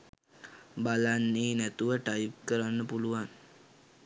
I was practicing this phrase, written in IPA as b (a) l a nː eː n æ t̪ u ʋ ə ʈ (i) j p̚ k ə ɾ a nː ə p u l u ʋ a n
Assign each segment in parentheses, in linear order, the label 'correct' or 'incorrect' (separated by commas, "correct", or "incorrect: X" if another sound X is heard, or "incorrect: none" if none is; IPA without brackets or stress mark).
correct, incorrect: a